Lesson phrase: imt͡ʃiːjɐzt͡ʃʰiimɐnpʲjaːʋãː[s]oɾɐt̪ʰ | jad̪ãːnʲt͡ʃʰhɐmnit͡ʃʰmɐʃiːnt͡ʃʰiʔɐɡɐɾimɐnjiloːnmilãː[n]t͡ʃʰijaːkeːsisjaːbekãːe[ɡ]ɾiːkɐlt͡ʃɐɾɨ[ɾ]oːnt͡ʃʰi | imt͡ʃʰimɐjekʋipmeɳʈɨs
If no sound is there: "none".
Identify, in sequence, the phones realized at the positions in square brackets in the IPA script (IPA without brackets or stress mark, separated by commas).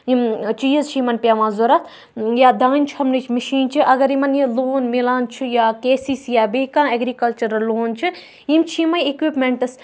z, n, ɡ, l